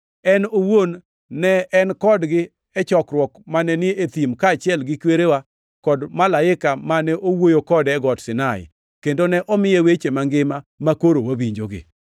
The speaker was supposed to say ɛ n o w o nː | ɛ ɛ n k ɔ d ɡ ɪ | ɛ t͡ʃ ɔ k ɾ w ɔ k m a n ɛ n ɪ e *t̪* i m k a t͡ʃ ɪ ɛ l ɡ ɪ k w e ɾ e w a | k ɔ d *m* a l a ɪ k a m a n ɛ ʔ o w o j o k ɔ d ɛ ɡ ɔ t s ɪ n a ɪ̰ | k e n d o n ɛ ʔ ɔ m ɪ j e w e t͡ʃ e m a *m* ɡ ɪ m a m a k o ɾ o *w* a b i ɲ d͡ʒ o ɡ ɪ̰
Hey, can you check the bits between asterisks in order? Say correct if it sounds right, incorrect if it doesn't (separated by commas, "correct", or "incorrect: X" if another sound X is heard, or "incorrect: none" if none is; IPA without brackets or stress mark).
correct, correct, incorrect: ŋ, correct